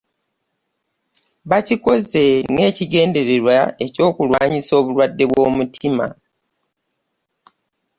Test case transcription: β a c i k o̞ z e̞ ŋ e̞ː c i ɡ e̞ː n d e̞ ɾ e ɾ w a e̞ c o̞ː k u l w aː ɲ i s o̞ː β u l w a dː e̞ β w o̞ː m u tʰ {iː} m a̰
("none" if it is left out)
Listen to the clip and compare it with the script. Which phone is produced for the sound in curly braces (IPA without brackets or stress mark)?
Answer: i